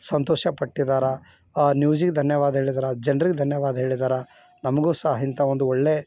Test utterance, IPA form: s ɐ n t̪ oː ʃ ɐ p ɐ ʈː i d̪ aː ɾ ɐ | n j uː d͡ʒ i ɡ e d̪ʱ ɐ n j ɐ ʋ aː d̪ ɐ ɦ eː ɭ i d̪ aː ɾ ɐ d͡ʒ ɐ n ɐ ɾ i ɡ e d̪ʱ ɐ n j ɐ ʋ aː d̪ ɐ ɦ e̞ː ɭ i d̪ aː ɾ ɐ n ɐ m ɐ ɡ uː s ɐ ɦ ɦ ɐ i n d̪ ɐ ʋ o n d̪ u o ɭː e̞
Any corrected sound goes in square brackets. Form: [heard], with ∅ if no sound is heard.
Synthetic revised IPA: s ɐ n t̪ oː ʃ ɐ p ɐ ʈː i d̪ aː ɾ ɐ | n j uː d͡ʒ i ɡ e d̪ʱ ɐ n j ɐ ʋ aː d̪ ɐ ɦ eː ɭ i d̪ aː ɾ ɐ d͡ʒ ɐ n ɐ ɾ i ɡ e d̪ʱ ɐ n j ɐ ʋ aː d̪ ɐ ɦ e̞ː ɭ i d̪ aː ɾ ɐ n ɐ m ɐ ɡ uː s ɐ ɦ ɦ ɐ i n [t̪] ɐ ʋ o n d̪ u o ɭː e̞